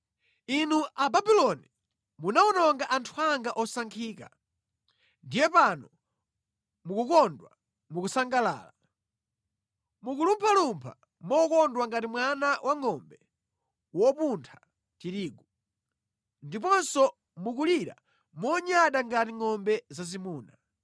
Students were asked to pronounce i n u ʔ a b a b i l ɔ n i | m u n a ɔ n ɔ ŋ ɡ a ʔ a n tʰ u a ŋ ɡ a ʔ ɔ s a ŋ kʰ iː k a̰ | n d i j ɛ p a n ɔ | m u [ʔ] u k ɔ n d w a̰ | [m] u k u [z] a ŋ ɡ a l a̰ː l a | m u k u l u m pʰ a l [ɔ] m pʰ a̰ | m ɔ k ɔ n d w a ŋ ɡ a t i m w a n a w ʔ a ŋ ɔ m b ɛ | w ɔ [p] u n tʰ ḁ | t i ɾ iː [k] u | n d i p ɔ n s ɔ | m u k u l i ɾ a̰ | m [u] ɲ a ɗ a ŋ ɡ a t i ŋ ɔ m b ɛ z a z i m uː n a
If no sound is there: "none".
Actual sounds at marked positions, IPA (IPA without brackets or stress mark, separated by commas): k, m, s, u, p, ɡ, ɔ